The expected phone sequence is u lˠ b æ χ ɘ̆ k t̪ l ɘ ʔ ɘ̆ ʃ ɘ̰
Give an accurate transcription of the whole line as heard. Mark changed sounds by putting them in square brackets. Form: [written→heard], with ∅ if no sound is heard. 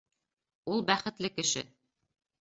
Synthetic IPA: u lˠ b æ χ ɘ̆ [k→∅] t̪ l ɘ [ʔ→k] ɘ̆ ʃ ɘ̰